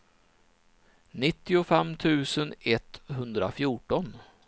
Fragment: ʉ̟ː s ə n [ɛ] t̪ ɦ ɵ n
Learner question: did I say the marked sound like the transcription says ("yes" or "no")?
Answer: yes